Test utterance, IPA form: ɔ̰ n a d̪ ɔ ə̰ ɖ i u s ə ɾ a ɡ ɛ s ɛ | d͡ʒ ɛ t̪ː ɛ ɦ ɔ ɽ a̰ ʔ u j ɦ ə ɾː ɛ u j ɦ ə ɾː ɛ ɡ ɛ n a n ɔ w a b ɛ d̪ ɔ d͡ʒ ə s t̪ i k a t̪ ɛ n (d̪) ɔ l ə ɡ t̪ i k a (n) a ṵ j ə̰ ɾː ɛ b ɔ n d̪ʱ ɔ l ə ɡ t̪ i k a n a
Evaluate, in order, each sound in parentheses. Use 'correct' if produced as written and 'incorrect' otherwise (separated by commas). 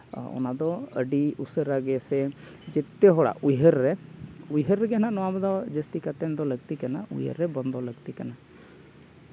correct, correct